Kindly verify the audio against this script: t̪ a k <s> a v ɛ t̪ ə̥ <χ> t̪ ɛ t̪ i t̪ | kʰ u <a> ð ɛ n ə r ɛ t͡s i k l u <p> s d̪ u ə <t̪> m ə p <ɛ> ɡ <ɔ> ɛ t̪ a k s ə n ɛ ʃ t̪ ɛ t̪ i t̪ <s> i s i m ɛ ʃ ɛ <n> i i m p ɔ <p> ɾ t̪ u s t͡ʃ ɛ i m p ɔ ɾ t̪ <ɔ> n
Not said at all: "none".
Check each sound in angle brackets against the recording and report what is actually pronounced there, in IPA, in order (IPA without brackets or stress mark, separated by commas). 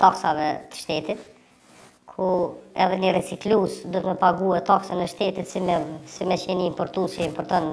s, ʃ, ɛ, none, t̪, a, u, s, n, none, ɔ